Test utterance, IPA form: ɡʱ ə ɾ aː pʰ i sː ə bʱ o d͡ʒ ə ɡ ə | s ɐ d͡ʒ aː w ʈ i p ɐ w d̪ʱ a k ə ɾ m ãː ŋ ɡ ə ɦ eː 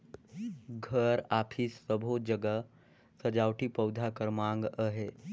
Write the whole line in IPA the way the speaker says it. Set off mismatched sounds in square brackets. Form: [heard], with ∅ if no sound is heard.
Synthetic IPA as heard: ɡʱ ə ɾ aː pʰ i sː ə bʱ o d͡ʒ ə ɡ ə | s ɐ d͡ʒ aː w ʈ i p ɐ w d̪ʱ a k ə ɾ m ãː ŋ ɡ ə ɦ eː

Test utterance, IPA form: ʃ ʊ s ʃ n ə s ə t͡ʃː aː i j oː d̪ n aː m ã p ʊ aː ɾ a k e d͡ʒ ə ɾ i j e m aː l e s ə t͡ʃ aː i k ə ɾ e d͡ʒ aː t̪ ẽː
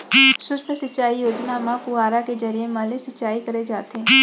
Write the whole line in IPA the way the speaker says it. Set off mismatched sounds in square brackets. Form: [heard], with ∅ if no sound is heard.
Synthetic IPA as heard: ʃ ʊ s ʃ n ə s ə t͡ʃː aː i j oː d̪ n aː m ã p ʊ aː ɾ a k e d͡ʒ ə ɾ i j e m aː l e s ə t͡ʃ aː i k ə ɾ e d͡ʒ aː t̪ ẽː

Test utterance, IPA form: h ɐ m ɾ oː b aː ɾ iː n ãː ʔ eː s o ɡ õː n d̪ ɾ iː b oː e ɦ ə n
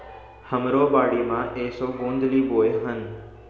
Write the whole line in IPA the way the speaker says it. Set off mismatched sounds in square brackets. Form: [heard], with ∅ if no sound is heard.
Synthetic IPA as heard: h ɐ m ɾ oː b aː [ɽ] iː [m] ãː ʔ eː s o ɡ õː n d̪ [l] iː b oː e ɦ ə n

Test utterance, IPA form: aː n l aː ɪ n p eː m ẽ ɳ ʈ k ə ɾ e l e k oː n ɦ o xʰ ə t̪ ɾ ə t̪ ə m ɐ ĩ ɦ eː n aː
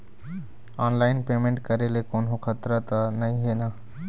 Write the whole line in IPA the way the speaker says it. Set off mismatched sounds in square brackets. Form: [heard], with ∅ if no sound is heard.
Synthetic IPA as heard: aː n l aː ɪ n p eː m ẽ ɳ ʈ k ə ɾ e l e k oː n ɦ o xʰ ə t̪ ɾ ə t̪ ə [n] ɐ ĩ ɦ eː n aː

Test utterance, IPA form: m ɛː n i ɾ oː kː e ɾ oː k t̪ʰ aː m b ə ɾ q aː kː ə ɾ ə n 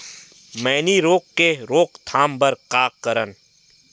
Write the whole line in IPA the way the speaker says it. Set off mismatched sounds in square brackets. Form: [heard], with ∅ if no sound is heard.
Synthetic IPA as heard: m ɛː n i ɾ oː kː e ɾ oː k t̪ʰ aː m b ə ɾ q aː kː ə ɾ ə n

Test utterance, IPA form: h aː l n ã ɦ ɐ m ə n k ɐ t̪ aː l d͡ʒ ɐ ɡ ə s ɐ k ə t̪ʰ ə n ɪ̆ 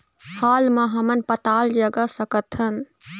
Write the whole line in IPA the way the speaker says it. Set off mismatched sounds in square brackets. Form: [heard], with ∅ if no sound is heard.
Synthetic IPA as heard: h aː l [m] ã ɦ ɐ m ə n [p] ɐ t̪ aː l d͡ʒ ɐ ɡ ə s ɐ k ə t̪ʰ ə n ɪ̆

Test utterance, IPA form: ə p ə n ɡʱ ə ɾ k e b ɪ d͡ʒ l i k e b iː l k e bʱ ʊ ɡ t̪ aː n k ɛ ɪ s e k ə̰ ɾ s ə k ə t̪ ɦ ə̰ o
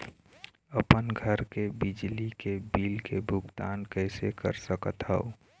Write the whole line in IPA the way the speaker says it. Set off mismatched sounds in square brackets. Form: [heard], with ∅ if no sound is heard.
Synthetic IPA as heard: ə p ə n ɡʱ ə ɾ k e b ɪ d͡ʒ l i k e b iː l k e bʱ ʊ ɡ t̪ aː n k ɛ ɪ s e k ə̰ ɾ s ə k ə t̪ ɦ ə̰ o

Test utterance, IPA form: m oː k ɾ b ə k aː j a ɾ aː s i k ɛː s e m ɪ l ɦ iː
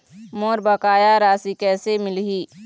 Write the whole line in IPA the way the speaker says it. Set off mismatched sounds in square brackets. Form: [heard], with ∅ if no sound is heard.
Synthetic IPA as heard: m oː [∅] ɾ b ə k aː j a ɾ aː s i k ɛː s e m ɪ l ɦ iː

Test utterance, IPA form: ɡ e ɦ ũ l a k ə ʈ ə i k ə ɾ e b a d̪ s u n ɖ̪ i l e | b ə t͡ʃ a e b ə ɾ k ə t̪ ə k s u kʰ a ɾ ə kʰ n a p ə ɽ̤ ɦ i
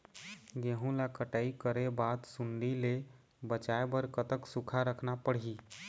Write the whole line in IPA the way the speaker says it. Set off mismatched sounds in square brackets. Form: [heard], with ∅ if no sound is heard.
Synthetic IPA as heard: ɡ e ɦ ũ l a k ə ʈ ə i k ə ɾ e b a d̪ s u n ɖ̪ i l e | b ə t͡ʃ a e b ə ɾ k ə t̪ ə k s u kʰ a ɾ ə kʰ n a p ə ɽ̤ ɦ i

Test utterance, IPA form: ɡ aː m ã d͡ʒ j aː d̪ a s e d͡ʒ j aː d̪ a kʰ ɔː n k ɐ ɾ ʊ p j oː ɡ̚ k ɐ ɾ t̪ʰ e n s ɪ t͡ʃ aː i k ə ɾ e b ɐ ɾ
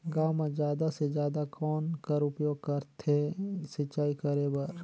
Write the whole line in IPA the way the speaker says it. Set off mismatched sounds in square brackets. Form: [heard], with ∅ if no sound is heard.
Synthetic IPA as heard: ɡ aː m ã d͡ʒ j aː d̪ a s e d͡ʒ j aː d̪ a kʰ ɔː n k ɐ ɾ ʊ p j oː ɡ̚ k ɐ ɾ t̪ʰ e [∅] s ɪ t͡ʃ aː i k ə ɾ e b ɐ ɾ

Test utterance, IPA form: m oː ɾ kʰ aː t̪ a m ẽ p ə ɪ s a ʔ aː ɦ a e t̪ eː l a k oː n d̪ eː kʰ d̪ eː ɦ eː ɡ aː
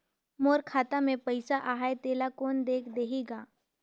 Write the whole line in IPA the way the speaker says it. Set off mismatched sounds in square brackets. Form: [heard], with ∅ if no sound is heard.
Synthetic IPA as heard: m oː ɾ kʰ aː t̪ a m ẽ p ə ɪ s a ʔ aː ɦ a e t̪ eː l a k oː n d̪ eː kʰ d̪ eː ɦ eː ɡ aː

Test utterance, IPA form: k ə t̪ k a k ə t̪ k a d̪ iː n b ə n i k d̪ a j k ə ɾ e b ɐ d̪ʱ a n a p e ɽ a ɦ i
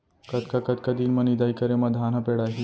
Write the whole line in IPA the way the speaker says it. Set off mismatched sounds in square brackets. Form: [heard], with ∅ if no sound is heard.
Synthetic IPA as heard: k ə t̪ k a k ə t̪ k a d̪ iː n [m] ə n i [∅] d̪ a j k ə ɾ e [m] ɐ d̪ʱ a n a p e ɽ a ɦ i

